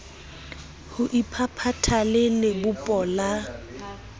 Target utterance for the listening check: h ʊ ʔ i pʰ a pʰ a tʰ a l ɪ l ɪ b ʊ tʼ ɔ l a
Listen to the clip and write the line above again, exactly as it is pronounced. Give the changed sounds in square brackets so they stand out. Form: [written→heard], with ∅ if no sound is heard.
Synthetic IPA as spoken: h ʊ ʔ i pʰ a pʰ a tʰ a l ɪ l ɪ b ʊ [tʼ→pʼ] ɔ l a